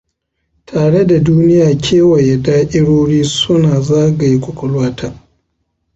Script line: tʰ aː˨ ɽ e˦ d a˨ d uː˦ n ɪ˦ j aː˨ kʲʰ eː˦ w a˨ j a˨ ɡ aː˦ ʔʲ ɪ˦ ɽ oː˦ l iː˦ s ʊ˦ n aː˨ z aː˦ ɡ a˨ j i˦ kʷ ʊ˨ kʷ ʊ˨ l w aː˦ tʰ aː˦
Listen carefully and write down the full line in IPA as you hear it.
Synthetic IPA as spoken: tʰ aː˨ ɽ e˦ d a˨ d uː˦ n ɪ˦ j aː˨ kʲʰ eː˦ w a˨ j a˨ d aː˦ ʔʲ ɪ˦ ɽ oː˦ ɽ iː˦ s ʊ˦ n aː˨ z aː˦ ɡ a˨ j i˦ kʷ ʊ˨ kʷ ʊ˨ l w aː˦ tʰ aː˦